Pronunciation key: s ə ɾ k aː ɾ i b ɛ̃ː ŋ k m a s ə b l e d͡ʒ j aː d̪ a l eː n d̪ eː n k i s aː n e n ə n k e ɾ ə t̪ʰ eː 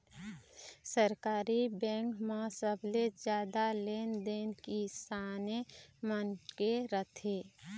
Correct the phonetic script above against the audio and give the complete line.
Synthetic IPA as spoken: s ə ɾ k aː ɾ i b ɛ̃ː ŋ k m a s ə b l e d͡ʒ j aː d̪ a l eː n d̪ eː n k i s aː n e m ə n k e ɾ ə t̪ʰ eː